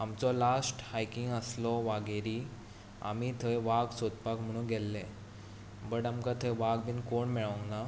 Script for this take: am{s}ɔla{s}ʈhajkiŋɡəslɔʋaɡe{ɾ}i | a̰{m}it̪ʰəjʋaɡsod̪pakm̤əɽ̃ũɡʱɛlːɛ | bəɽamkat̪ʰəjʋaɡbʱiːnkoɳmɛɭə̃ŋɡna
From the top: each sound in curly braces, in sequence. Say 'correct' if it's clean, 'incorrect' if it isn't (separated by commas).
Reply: incorrect, correct, correct, correct